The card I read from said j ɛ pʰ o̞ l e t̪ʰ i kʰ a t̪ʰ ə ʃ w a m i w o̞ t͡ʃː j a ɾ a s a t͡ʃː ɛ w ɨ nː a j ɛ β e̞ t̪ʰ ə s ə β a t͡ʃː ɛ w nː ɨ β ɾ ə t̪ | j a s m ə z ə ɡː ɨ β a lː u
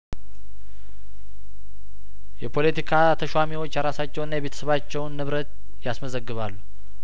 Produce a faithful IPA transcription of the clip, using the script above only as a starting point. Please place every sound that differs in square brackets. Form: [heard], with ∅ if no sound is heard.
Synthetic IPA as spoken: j ɛ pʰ o̞ l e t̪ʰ i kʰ a t̪ʰ ə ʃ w a m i w o̞ t͡ʃː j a ɾ a s a t͡ʃː ɛ w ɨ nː a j ɛ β e̞ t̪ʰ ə s ə β a t͡ʃː ɛ w nː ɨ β ɾ ə t̪ | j a s m ə z ə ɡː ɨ β a lː u